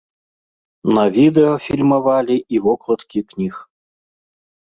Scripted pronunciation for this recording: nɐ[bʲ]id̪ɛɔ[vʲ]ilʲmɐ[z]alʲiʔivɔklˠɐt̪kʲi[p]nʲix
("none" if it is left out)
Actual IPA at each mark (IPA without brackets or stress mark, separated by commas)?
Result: vʲ, fʲ, v, k